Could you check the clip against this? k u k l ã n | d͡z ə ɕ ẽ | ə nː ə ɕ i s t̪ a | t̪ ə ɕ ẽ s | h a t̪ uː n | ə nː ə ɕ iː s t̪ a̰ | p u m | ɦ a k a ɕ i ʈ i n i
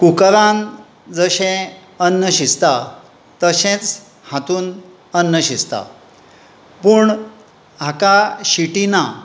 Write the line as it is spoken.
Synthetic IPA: k u k ɾ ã n | d͡z ə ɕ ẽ | ə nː ə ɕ i s t̪ a | t̪ ə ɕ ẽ t͡s | h a t̪ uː n | ə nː ə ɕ i s t̪ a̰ | p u ɳ | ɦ a k a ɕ i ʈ i n a